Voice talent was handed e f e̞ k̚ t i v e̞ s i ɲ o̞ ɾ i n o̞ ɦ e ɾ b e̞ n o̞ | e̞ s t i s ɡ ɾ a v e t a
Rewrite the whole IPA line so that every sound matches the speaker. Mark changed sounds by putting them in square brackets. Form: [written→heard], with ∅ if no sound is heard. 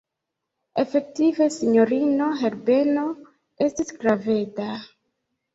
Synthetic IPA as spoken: e f e̞ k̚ t i v e̞ s i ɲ o̞ ɾ i n o̞ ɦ e ɾ b e̞ n o̞ | e̞ s t i s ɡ ɾ a v e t a